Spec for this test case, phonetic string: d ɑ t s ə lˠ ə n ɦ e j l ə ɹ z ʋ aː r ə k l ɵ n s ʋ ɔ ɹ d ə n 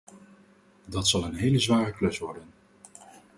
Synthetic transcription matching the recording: d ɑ t s ɑ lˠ ə n ɦ e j l ə z ʋ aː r ə k l ɵ s ʋ ɔ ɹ d ə n